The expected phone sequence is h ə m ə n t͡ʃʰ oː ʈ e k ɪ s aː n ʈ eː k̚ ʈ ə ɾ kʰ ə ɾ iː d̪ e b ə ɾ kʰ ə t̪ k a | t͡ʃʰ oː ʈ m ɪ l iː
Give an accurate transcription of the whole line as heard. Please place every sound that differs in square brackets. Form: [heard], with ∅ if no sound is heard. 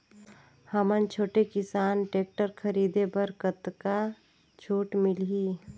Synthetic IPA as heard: h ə m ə n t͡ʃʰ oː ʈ e k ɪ s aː n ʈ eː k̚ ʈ ə ɾ kʰ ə ɾ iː d̪ e b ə ɾ [k] ə t̪ k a | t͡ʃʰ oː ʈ m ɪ l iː